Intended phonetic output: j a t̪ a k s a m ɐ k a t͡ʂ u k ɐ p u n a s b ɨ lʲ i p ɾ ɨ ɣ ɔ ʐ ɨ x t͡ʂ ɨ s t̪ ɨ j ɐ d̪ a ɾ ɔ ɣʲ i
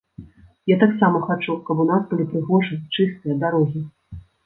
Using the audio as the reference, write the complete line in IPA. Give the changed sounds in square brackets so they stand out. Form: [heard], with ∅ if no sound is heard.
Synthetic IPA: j a t̪ a k s a m ɐ [x] a t͡ʂ u k ɐ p u n a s b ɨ lʲ i p ɾ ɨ ɣ ɔ ʐ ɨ [∅] t͡ʂ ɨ s t̪ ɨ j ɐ d̪ a ɾ ɔ ɣʲ i